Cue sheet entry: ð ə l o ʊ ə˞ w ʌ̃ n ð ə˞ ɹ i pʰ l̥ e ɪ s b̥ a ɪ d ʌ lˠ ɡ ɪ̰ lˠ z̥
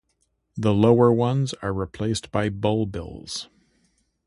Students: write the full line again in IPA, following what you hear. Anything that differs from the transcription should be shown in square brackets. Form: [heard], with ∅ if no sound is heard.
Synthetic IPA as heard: ð ə l o ʊ ə˞ w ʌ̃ n [z] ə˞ ɹ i pʰ l̥ e ɪ s b̥ a ɪ [b] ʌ lˠ [b] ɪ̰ lˠ z̥